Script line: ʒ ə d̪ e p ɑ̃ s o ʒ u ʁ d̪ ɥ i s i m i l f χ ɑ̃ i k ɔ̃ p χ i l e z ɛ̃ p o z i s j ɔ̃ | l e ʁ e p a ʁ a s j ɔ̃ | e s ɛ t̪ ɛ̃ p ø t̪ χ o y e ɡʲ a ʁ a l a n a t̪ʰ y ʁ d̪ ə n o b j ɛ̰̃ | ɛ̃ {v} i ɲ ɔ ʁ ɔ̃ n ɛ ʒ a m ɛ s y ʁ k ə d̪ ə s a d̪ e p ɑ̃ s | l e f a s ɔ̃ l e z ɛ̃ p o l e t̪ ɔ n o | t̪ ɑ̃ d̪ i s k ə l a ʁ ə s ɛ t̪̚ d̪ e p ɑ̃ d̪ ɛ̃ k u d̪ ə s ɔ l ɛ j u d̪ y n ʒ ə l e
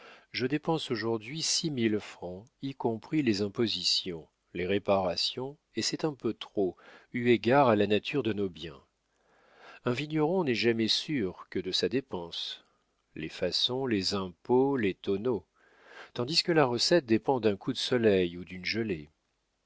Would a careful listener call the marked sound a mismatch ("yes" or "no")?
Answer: no